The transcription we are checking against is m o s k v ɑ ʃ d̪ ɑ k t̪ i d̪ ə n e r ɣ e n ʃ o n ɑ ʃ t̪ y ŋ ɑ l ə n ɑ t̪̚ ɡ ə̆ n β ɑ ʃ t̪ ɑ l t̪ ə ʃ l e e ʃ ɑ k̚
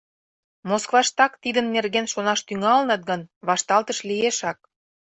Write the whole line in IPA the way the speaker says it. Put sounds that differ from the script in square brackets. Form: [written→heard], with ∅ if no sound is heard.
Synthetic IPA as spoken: m o s k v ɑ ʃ [d̪→t̪] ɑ k t̪ i d̪ ə [n→nː] e r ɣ e n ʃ o n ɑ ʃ t̪ y ŋ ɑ l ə n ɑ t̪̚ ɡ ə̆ n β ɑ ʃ t̪ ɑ l t̪ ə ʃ l [e→i] e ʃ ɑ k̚